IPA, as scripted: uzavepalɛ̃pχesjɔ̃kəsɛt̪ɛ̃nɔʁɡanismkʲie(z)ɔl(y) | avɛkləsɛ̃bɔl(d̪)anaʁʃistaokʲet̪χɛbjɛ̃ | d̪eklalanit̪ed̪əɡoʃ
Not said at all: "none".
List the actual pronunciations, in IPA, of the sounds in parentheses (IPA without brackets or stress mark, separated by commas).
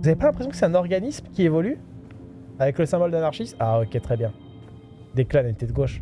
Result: v, y, d̪